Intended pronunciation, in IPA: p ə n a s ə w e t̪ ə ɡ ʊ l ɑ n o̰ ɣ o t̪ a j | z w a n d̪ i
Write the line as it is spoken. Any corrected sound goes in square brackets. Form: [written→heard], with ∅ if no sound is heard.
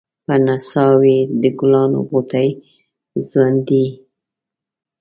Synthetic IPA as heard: p ə n a s [ə→ɑ] w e [t̪→d̪] ə ɡ ʊ l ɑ n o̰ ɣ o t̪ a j | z w a n d̪ i